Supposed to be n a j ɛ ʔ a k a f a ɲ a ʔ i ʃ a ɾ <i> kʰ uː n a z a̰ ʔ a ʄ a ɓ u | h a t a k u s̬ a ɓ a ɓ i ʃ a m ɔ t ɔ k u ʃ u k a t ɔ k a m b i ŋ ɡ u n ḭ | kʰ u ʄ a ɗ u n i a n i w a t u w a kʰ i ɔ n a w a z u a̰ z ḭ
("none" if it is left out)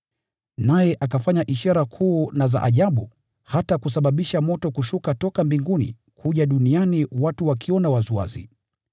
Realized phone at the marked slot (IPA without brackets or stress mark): a